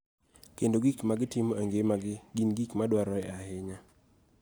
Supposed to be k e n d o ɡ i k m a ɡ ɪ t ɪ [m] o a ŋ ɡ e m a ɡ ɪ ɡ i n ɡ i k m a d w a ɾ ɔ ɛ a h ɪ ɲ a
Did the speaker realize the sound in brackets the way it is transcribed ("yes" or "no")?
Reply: yes